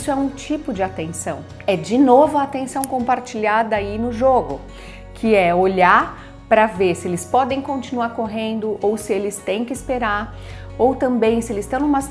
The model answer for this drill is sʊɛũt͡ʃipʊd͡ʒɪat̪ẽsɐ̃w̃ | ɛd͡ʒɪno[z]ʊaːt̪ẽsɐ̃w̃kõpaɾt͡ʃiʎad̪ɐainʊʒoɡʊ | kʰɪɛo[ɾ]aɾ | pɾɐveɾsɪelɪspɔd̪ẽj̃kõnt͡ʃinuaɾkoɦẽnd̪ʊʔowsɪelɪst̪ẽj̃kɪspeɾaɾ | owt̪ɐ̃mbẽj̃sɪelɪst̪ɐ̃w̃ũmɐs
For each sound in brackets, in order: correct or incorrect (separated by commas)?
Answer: incorrect, incorrect